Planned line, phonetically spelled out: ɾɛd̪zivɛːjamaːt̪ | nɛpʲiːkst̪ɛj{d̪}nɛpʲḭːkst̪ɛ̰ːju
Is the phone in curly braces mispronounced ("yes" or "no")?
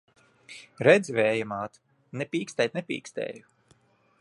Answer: yes